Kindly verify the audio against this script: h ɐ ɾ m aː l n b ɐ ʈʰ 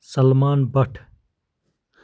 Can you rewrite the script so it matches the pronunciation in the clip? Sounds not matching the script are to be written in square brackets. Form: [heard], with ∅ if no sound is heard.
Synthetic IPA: [s] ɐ [l] m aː [∅] n b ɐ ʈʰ